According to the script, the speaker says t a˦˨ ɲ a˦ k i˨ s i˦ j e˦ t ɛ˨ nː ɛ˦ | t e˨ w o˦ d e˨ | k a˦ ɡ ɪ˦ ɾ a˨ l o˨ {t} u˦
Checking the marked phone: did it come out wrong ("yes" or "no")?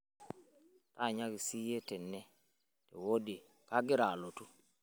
no